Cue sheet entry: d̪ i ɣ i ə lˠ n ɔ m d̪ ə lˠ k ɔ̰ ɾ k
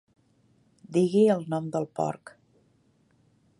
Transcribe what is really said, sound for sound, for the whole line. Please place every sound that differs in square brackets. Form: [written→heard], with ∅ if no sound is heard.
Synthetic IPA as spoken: d̪ i ɣ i ə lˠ n ɔ m d̪ ə lˠ [k→p] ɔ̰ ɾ k